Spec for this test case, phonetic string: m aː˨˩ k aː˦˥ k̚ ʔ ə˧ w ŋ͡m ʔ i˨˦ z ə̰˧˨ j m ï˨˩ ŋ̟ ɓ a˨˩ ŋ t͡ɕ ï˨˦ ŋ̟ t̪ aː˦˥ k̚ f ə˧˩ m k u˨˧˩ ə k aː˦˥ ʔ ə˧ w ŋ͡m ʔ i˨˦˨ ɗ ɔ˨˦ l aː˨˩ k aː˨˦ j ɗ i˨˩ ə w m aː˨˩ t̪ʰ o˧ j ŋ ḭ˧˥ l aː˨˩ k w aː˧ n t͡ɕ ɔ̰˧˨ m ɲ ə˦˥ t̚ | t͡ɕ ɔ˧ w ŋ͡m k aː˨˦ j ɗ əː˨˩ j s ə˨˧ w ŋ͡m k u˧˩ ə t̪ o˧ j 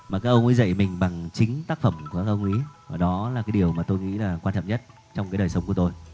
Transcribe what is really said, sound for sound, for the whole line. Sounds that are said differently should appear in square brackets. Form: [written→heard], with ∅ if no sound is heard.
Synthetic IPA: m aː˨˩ k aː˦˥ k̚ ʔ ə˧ w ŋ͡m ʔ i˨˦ z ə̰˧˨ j m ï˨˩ ŋ̟ ɓ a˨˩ ŋ t͡ɕ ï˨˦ ŋ̟ t̪ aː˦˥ k̚ f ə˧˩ m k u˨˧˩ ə k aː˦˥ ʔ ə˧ w ŋ͡m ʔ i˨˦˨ ɗ ɔ˨˦ l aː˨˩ k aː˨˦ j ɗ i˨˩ ə w m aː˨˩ [t̪ʰ→t̪] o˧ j ŋ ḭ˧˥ l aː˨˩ k w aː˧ n t͡ɕ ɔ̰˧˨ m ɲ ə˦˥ t̚ | t͡ɕ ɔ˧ w ŋ͡m k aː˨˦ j ɗ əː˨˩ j s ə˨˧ w ŋ͡m k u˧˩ ə t̪ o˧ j

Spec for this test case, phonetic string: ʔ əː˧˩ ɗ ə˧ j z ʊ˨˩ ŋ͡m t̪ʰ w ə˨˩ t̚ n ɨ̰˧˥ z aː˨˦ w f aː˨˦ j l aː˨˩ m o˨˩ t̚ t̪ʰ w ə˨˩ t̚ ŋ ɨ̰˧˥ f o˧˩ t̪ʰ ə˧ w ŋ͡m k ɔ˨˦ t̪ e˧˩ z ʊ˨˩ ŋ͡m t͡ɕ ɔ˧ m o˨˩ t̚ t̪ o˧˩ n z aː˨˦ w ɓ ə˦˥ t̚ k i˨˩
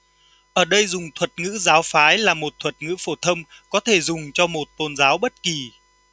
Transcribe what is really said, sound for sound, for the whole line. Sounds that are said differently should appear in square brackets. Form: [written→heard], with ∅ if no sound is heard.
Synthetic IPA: ʔ əː˧˩ ɗ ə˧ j z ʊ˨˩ ŋ͡m t̪ʰ w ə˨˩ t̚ [n→ŋ] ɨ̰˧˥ z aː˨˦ w f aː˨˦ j l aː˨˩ m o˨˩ t̚ t̪ʰ w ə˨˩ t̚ ŋ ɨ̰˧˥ f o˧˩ t̪ʰ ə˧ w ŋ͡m k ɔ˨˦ [t̪→t̪ʰ] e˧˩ z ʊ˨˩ ŋ͡m t͡ɕ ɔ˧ m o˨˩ t̚ t̪ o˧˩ n z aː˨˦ w ɓ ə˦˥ t̚ k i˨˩

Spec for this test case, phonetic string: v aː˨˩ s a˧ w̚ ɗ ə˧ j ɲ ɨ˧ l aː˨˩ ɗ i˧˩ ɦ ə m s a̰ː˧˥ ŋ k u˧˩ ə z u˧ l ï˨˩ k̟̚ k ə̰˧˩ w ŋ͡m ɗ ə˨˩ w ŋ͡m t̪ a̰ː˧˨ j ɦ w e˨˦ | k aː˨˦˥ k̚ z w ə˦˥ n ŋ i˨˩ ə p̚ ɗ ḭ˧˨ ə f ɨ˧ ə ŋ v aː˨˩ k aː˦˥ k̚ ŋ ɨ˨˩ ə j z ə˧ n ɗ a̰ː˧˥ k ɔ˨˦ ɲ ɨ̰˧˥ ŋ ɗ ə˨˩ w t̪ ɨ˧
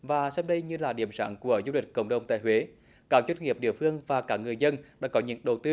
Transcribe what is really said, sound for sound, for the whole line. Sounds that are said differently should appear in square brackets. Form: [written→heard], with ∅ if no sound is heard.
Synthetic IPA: v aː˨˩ s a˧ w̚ ɗ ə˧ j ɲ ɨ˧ l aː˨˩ ɗ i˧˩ [ɦ→∅] ə m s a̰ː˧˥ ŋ k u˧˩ ə z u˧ l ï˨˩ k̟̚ k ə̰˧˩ w ŋ͡m ɗ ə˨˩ w ŋ͡m t̪ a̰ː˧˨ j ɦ w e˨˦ | k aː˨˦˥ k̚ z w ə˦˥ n ŋ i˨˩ ə p̚ ɗ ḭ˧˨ ə f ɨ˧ ə ŋ v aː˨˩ k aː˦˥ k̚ ŋ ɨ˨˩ ə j z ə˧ n ɗ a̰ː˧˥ k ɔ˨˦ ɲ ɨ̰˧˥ ŋ ɗ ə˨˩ w t̪ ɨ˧

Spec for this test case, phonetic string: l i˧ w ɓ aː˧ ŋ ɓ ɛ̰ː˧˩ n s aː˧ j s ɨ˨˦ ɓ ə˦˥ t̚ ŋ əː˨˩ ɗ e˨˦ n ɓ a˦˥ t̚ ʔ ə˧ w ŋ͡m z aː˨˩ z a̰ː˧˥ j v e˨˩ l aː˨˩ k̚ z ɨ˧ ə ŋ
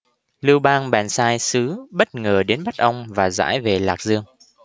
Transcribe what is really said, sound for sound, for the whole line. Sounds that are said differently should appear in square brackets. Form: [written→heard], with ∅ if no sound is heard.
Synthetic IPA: l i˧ w ɓ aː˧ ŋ ɓ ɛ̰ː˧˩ n s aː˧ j s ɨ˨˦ ɓ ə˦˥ t̚ ŋ əː˨˩ ɗ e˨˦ n ɓ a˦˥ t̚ ʔ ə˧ w ŋ͡m [z→v] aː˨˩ z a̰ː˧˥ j v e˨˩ l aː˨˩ k̚ z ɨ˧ ə ŋ

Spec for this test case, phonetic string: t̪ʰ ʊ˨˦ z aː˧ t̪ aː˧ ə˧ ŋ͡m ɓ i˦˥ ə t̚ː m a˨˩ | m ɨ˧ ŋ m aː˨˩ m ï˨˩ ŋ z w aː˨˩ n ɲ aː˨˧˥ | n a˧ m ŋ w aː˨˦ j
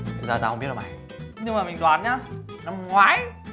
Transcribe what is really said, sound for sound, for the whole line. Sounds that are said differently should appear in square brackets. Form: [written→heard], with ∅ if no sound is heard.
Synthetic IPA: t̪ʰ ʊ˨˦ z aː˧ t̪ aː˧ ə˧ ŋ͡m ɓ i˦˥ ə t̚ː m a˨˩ | [m→ɲ] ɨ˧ ŋ m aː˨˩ m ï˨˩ ŋ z w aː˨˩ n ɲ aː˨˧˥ | n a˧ m ŋ w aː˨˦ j

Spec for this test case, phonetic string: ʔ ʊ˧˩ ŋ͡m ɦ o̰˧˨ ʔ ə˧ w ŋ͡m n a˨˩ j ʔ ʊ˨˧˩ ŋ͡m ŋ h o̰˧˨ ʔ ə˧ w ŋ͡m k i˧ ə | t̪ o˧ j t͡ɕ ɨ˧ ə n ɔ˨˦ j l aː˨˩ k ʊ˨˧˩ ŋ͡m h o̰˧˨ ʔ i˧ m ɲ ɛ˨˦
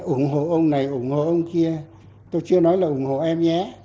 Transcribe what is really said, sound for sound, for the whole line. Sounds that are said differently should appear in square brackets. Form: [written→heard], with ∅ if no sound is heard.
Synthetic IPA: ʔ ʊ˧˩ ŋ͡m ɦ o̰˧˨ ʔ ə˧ w ŋ͡m n a˨˩ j ʔ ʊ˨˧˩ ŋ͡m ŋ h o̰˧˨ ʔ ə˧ w ŋ͡m k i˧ ə | t̪ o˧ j t͡ɕ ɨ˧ ə n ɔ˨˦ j l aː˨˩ [k→ʔ] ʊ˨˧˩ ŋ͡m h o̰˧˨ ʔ [i˧→ɛ˧] m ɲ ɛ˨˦

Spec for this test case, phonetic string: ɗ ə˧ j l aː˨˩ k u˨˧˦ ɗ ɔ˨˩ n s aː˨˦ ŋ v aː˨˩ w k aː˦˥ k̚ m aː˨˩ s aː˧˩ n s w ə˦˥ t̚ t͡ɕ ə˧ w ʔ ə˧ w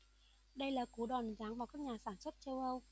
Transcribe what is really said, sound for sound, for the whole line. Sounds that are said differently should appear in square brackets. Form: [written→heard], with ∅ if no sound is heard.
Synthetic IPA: ɗ ə˧ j l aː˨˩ k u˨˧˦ ɗ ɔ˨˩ n [s→z] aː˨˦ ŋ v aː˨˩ w k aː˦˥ k̚ [m→ɲ] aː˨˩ s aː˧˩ n s w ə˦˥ t̚ t͡ɕ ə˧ w ʔ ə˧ w

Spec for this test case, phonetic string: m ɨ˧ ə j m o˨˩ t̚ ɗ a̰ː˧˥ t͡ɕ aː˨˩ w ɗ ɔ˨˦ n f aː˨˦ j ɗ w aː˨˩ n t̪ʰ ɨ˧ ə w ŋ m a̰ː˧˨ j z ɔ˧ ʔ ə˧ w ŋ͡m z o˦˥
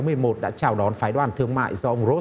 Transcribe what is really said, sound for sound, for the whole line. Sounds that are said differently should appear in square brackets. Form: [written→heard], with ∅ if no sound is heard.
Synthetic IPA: m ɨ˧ ə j m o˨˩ t̚ ɗ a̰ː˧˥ t͡ɕ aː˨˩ w ɗ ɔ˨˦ n f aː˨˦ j ɗ w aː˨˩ n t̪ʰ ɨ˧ ə [w→∅] ŋ m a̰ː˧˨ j z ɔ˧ ʔ ə˧ w ŋ͡m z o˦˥

